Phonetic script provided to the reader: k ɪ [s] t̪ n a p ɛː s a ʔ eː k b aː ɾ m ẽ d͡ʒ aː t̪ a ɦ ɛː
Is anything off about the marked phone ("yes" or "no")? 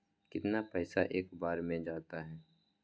yes